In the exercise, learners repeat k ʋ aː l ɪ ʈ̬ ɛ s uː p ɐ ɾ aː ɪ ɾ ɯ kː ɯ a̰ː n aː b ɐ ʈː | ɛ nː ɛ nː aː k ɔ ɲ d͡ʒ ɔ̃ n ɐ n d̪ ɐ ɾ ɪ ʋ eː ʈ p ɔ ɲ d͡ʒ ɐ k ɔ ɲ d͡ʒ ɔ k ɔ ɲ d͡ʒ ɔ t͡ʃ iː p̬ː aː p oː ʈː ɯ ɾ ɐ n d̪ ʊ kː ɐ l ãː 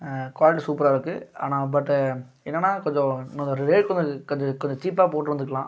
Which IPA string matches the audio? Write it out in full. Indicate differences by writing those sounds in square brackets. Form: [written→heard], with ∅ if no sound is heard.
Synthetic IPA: k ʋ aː l ɪ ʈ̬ [ɛ→i] s uː p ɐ ɾ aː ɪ ɾ ɯ kː ɯ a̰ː n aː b ɐ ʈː | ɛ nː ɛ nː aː k ɔ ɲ d͡ʒ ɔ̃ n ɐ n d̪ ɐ ɾ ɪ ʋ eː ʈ [p→k] ɔ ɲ d͡ʒ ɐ k ɔ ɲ d͡ʒ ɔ k ɔ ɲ d͡ʒ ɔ t͡ʃ iː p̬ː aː p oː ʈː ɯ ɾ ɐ n d̪ [ʊ→ɯ] kː ɐ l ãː